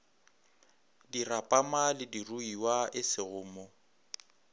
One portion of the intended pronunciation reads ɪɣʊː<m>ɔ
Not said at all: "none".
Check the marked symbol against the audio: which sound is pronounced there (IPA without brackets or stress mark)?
m